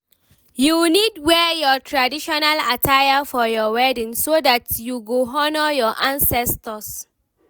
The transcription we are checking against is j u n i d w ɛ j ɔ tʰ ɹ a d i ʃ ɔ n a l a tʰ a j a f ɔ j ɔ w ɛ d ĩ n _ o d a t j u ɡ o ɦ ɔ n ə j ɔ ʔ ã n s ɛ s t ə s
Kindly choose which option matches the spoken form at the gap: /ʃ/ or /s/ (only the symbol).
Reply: s